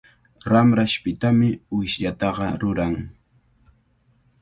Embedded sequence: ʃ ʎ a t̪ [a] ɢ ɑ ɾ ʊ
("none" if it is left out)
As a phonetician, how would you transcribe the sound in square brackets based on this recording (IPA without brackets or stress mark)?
ɑ